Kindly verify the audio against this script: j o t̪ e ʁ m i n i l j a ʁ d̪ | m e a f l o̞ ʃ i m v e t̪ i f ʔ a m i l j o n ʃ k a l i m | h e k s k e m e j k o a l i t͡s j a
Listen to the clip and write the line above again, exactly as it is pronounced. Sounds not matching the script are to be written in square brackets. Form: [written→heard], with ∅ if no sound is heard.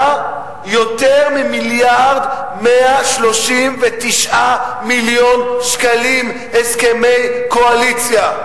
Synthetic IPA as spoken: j o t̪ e ʁ m i [n→m] i l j a ʁ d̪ | m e a [f→ʃ] l o̞ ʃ i m v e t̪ i [f→ʃ] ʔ a m i l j o n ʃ k a l i m | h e [k→∅] s k e m e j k o a l i t͡s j a